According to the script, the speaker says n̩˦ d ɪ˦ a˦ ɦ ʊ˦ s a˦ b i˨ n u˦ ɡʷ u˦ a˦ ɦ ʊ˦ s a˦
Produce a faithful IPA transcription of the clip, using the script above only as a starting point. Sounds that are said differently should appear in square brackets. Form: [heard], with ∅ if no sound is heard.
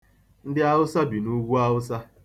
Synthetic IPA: n̩˦ d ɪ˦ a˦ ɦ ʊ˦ s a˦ b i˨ n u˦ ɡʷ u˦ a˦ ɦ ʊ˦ s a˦